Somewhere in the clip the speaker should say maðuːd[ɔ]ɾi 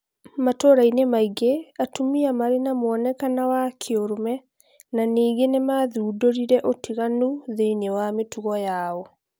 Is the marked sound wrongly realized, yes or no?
yes